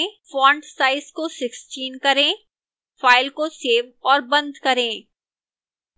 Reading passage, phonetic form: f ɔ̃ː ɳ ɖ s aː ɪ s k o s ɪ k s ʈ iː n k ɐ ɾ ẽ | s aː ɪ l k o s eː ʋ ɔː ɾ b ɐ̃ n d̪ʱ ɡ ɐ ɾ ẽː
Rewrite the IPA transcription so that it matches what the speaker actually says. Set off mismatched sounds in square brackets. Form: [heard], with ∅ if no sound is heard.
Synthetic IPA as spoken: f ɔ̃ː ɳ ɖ s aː ɪ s k o s ɪ k s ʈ iː n k ɐ ɾ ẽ | [f] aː ɪ l k o s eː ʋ ɔː ɾ b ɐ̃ n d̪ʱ [k] ɐ ɾ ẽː